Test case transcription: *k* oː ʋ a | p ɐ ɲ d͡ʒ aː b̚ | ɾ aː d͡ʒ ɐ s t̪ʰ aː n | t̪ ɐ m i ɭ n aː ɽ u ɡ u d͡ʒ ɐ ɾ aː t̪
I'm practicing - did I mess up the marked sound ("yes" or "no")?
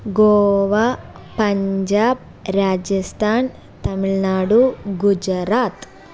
yes